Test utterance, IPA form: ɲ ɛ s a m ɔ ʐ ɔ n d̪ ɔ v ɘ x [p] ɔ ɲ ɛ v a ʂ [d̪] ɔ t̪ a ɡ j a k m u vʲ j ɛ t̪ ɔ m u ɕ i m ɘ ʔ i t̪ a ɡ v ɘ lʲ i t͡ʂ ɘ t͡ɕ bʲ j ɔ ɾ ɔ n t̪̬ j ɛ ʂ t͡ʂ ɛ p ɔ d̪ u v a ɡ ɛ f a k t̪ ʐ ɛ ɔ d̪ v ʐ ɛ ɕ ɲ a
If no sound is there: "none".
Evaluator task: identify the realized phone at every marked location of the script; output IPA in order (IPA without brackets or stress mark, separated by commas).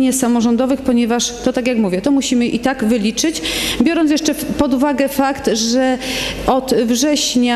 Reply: p, t̪